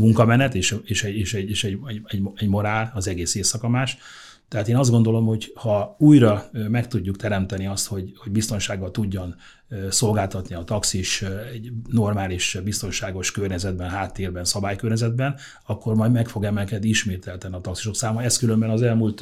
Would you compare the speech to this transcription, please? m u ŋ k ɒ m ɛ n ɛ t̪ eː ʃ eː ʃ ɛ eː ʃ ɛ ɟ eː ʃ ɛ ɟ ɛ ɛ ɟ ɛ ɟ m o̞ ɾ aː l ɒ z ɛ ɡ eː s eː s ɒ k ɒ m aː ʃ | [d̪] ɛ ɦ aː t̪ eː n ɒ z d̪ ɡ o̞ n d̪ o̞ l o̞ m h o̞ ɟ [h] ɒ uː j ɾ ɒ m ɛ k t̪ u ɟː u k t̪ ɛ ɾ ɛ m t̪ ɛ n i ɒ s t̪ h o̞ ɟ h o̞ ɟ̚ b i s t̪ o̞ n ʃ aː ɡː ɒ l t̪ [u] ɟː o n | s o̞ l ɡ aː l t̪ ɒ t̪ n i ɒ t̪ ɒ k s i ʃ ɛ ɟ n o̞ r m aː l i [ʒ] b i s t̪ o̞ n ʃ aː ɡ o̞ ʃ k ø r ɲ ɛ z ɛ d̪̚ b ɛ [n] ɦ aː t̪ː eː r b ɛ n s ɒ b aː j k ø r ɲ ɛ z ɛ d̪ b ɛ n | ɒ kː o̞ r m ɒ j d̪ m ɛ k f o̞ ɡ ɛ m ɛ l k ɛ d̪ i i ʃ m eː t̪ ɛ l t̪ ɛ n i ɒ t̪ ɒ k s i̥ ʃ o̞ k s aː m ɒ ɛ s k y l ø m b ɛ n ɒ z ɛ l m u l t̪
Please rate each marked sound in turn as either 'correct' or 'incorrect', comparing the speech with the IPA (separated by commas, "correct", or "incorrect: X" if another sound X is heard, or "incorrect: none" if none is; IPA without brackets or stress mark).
incorrect: t̪, correct, correct, incorrect: ʃ, correct